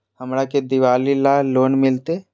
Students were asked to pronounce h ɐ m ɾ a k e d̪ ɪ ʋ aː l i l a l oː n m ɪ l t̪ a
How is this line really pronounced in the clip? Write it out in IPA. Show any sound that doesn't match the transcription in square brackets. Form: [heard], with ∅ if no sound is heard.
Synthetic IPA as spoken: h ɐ m ɾ a k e d̪ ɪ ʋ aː l i l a l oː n m ɪ l t̪ [e]